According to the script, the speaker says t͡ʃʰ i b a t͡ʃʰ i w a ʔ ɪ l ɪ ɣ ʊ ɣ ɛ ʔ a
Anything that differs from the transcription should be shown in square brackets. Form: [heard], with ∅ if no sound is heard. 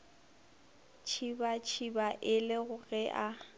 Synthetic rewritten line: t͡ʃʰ i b a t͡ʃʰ i [b] a ʔ ɪ l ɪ ɣ ʊ ɣ ɛ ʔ a